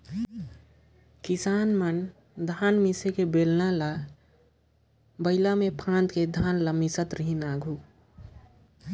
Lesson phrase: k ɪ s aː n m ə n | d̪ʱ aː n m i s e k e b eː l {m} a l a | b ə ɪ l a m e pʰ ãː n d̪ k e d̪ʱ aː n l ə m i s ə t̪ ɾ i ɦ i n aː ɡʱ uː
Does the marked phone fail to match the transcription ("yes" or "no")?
yes